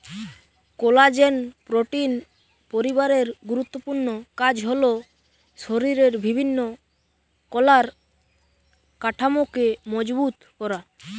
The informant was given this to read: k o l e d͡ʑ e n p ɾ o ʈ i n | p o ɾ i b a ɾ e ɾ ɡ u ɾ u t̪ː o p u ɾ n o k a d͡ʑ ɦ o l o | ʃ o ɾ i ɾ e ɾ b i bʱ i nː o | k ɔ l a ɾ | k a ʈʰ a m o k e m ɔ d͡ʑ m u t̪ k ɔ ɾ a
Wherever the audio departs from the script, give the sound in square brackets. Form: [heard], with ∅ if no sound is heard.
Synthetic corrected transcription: k o l [a] d͡ʑ e n p ɾ o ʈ i n | p o ɾ i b a ɾ e ɾ ɡ u ɾ u t̪ː o p u ɾ n o k a d͡ʑ ɦ o l o | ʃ o ɾ i ɾ e ɾ b i bʱ i nː o | k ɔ l a ɾ | k a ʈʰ a m o k e m ɔ d͡ʑ [b] u t̪ k ɔ ɾ a